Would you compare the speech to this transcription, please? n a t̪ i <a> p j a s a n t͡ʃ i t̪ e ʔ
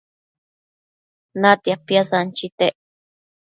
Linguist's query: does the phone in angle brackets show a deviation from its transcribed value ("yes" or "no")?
no